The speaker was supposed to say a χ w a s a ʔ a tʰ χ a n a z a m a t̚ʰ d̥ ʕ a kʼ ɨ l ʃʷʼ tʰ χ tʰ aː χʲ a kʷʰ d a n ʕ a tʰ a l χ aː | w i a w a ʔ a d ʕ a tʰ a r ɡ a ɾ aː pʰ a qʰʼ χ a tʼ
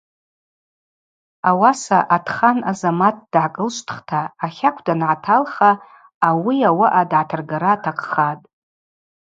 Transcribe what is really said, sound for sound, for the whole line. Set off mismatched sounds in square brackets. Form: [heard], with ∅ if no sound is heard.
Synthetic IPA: a [∅] w a s a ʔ a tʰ χ a n a z a m a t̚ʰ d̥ ʕ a kʼ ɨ l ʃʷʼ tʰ χ tʰ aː χʲ a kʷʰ d a n ʕ a tʰ a l χ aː | w i a w a ʔ a d ʕ a tʰ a r ɡ a ɾ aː [tʰ] a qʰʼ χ a tʼ